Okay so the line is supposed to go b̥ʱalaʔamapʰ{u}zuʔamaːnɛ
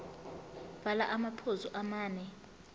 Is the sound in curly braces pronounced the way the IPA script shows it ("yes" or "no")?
no